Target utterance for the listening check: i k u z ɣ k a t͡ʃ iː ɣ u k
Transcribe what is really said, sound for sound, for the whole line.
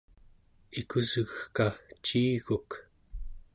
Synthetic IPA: i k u z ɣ k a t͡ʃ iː ɣ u k